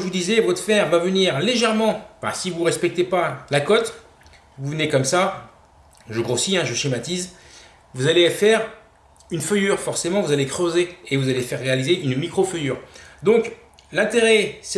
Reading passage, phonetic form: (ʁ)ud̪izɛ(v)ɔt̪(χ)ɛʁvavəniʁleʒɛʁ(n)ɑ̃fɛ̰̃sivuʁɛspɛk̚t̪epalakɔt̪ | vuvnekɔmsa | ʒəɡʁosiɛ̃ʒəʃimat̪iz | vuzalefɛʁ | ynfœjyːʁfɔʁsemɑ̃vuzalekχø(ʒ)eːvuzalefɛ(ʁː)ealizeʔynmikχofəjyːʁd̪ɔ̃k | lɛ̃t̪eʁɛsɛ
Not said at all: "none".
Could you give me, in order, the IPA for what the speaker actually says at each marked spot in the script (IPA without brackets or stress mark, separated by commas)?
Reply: v, v, f, m, z, ʁː